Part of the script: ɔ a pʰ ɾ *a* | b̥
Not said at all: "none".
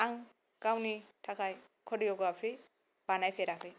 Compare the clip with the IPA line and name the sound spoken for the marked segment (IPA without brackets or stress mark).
i